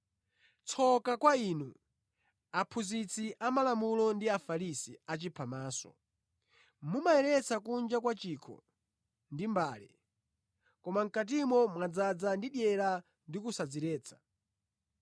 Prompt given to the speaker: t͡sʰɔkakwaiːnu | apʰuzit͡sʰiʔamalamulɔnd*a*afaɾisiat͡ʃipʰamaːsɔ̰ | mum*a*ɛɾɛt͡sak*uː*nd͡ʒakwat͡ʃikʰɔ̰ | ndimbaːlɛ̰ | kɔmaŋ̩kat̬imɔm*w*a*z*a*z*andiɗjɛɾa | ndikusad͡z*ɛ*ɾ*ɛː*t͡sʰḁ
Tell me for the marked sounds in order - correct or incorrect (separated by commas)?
incorrect, correct, incorrect, correct, incorrect, incorrect, incorrect, correct